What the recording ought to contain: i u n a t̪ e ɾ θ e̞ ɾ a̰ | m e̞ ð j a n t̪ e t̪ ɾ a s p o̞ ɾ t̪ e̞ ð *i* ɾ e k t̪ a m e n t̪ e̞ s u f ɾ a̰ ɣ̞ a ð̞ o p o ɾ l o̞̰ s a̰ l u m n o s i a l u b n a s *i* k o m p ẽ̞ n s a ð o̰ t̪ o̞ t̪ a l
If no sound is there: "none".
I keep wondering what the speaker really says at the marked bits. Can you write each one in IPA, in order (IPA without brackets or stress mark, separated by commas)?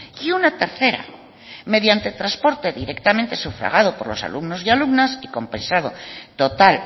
i, i